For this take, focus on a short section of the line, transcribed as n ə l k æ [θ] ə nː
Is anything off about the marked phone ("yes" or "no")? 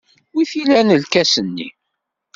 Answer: yes